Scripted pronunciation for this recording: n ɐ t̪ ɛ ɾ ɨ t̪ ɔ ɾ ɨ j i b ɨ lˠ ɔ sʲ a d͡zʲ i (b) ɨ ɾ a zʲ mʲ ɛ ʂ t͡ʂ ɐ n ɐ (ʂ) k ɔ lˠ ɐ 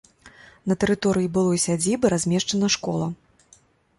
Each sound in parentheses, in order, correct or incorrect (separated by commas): correct, correct